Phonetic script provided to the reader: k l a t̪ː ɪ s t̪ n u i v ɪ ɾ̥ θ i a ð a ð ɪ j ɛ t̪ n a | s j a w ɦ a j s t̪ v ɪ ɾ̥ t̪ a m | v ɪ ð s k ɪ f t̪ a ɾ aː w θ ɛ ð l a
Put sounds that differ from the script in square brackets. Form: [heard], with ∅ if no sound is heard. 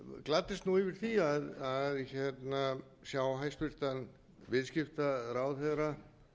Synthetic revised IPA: k l a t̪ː ɪ s t̪ n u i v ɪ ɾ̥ θ i a ð a ð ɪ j ɛ t̪ n a | s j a w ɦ a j s t̪ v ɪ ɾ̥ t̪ a [n] | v ɪ ð s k ɪ f t̪ a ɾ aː w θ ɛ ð [ɾ] a